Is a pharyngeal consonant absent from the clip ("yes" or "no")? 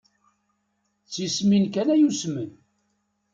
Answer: yes